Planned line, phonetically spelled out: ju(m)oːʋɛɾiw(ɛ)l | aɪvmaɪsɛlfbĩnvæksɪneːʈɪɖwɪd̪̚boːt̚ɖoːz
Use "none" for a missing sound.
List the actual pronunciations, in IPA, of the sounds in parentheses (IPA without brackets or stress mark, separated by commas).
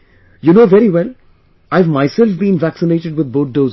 n, ɛ